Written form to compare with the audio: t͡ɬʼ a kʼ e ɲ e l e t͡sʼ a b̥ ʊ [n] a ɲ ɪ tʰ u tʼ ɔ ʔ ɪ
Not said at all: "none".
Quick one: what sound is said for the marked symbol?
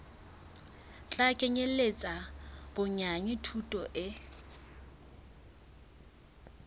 ɲ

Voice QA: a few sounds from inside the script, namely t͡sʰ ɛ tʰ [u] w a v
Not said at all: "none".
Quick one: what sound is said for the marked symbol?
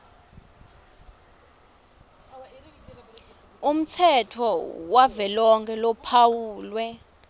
ɔ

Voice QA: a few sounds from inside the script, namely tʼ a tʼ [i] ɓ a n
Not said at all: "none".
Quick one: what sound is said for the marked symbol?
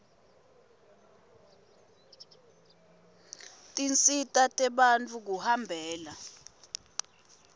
ɛ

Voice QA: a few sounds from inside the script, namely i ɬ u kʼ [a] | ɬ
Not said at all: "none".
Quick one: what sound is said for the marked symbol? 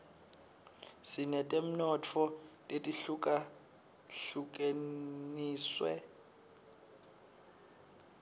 a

